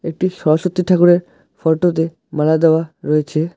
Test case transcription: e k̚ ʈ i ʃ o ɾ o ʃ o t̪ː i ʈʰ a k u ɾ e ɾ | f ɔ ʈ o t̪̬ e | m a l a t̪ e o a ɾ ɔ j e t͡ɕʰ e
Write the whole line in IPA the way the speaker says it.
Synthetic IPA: e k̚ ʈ i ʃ ɔ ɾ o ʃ o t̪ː i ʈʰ a k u ɾ e ɾ | f ɔ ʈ o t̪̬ e | m a l a d̪ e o a ɾ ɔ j e t͡ɕʰ e